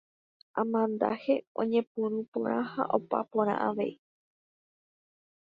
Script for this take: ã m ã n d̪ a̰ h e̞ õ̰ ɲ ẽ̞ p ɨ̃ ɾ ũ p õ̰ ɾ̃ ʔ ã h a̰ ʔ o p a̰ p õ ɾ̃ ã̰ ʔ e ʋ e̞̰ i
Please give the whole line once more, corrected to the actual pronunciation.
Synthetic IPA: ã m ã n d̪ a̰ h e̞ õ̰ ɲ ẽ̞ p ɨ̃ ɾ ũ p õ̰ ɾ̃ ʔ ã h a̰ ʔ o p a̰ p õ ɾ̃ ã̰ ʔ a ʋ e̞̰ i